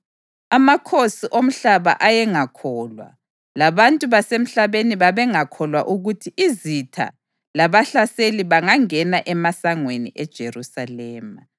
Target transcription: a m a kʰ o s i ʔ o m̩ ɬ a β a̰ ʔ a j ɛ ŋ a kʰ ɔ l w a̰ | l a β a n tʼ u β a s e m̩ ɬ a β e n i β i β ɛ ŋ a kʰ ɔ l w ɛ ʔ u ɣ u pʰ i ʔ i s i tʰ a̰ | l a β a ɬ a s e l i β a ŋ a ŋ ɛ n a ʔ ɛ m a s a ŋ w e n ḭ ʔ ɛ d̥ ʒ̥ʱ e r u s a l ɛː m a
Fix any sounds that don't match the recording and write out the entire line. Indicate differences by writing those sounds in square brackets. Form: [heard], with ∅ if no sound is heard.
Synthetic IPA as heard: a m a kʰ o s i ʔ o m̩ ɬ a β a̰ ʔ a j ɛ ŋ a kʰ ɔ l w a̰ | l a β a n tʼ u β a s e m̩ ɬ a β e n i β [a] β ɛ ŋ a kʰ ɔ l w [a] ʔ u ɣ u [tʰ] i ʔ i [z] i tʰ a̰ | l a β a ɬ a s e l i β a ŋ a ŋ ɛ n a ʔ ɛ m a s a ŋ w e n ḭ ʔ ɛ d̥ ʒ̥ʱ e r u s a l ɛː m a